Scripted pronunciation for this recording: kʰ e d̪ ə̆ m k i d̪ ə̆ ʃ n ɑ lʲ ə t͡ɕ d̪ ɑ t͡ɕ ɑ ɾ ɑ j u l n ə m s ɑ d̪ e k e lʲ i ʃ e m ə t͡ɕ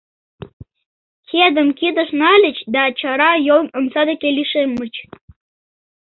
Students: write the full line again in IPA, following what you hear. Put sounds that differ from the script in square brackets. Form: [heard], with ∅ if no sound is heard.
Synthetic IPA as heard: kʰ e d̪ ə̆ m k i d̪ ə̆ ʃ n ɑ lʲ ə t͡ɕ d̪ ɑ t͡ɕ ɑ ɾ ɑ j [o] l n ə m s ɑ d̪ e k e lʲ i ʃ e m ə t͡ɕ